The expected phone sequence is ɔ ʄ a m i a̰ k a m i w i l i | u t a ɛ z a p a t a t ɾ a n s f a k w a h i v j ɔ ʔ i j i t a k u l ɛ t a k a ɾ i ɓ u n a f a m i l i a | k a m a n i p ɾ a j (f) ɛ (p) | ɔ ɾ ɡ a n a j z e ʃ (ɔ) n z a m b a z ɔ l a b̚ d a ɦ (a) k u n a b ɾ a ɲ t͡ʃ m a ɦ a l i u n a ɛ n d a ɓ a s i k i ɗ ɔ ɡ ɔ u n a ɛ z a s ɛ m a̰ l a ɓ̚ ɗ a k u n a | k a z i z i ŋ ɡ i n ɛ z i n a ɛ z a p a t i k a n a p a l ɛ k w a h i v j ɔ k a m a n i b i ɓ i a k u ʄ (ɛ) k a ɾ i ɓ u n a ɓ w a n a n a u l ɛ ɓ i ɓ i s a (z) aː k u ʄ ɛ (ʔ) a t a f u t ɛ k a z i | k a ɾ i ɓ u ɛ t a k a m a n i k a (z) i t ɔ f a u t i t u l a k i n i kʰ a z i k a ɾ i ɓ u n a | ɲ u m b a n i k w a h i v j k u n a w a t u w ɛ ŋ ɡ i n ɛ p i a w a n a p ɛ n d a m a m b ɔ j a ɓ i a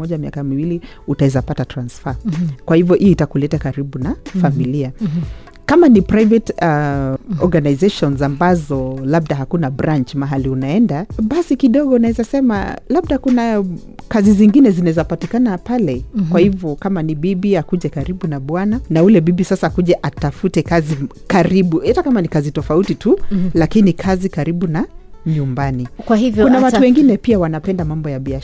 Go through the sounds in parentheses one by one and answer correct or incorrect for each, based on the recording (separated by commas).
incorrect, incorrect, correct, correct, correct, incorrect, correct, correct